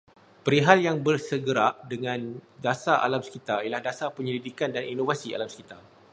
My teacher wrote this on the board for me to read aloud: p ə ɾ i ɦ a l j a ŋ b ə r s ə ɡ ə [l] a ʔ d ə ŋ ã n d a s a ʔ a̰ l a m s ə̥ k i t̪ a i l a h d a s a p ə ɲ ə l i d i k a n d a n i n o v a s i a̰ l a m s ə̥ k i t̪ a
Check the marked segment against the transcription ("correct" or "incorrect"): incorrect